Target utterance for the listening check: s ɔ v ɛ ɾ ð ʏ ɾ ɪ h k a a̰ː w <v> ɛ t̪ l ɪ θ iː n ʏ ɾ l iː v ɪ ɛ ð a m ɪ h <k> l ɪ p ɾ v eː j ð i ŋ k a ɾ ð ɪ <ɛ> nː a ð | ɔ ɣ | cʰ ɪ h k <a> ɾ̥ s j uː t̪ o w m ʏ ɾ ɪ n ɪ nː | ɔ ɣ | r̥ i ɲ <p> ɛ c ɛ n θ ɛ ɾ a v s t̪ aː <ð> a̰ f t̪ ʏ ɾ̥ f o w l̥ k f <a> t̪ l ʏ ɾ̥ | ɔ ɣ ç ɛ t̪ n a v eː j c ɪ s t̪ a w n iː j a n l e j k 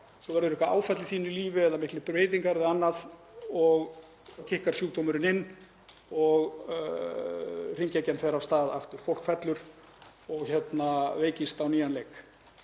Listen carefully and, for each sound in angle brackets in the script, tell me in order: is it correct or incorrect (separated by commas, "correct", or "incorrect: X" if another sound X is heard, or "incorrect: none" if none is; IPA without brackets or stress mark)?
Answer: incorrect: f, correct, incorrect: a, correct, incorrect: c, correct, incorrect: ɛ